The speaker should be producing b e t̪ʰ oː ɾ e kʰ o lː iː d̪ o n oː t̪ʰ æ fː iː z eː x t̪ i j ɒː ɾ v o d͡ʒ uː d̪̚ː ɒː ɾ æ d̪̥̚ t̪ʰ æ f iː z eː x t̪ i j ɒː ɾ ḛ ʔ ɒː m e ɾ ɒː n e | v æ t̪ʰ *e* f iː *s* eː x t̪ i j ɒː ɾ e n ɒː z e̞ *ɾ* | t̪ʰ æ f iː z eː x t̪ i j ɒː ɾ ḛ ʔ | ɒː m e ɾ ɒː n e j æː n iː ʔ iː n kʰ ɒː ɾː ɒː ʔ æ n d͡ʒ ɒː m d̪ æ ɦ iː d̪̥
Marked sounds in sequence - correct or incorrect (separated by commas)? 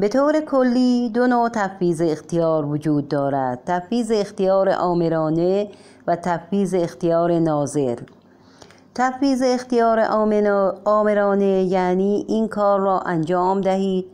incorrect, incorrect, correct